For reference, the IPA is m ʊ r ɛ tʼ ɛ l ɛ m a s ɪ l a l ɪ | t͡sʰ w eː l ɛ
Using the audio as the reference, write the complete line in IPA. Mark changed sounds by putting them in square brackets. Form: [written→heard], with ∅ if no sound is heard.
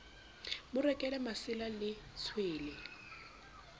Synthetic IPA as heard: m ʊ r ɛ [tʼ→kʼ] ɛ l ɛ m a s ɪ l a l ɪ | t͡sʰ w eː l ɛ

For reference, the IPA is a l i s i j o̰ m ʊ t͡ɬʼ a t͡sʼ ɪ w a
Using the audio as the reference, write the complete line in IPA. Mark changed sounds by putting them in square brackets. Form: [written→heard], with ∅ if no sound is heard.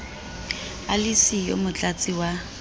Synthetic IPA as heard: a l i s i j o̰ m ʊ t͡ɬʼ a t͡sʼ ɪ w a

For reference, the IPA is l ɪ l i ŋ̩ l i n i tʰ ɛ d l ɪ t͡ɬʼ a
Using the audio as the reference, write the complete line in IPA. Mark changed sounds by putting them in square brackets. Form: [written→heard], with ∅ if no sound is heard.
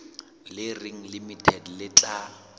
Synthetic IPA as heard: l ɪ [l→r] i ŋ̩ l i [n→m] i tʰ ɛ d l ɪ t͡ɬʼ a

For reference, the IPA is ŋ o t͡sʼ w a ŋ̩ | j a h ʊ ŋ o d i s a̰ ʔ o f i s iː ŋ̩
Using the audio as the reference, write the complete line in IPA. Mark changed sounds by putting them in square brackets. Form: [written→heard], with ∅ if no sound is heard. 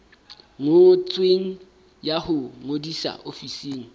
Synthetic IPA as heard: ŋ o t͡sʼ w [a→e] ŋ̩ | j a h ʊ ŋ o d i s a̰ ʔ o f i s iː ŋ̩

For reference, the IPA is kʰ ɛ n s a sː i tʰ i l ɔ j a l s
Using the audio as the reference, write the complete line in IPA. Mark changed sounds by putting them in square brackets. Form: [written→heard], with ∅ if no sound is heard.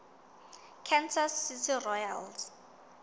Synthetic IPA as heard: kʰ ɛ n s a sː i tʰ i [l→r] ɔ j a l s

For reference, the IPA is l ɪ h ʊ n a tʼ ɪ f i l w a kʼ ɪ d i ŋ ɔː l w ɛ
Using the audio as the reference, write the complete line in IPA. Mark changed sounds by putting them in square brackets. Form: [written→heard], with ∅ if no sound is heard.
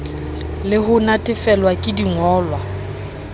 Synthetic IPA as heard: l ɪ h ʊ n a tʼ ɪ f [i→ɛ] l w a kʼ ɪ d i ŋ ɔː l w [ɛ→a]

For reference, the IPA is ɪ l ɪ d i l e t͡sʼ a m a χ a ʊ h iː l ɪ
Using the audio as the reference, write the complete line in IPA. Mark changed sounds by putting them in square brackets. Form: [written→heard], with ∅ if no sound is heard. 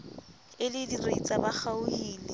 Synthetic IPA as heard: ɪ l ɪ d i [l→r] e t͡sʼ a [m→b] a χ a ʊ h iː l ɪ

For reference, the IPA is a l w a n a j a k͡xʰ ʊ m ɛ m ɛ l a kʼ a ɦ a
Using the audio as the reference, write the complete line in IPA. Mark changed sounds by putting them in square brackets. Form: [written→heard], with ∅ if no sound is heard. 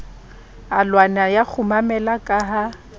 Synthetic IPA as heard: a l w a n a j a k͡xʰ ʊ m [ɛ→a] m ɛ l a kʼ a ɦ a

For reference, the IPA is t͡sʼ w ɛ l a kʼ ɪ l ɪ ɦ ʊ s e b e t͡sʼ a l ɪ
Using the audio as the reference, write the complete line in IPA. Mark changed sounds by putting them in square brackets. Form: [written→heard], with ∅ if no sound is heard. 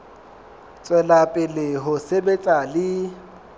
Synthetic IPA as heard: t͡sʼ w ɛ l a [kʼ→pʼ] ɪ l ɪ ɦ ʊ s e b e t͡sʼ a l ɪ

